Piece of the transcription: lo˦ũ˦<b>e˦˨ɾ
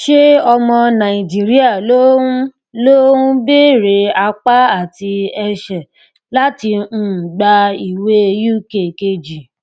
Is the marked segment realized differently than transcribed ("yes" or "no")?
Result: no